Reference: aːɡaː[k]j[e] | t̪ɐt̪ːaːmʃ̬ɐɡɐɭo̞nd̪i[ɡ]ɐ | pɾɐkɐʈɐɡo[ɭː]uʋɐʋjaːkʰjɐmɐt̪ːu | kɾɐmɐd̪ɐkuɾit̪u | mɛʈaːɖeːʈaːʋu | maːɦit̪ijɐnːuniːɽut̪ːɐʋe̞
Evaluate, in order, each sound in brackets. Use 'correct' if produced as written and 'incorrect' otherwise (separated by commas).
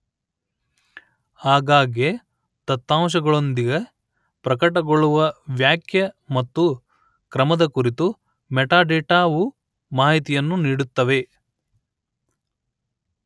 incorrect, correct, correct, incorrect